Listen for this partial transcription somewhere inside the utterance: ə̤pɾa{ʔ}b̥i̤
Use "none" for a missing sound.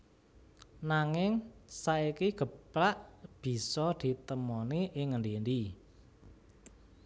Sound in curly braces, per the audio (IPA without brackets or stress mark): ʔ